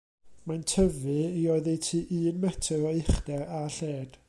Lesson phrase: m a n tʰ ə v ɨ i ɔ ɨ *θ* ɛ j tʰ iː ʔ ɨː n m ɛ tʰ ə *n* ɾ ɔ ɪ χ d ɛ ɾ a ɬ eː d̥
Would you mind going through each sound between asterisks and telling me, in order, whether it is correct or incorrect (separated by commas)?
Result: incorrect, incorrect